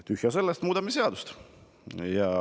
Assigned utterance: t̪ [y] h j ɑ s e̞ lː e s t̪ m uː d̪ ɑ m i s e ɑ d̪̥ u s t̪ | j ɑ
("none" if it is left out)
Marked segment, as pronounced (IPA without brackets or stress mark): y